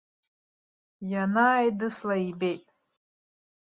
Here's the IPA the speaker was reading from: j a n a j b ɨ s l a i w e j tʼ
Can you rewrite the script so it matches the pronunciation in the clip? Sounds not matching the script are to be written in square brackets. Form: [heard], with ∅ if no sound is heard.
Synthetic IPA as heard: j a n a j [d] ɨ s l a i [b] e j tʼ